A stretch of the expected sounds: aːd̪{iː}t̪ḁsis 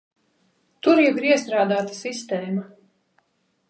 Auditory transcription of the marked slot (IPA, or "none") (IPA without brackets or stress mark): aː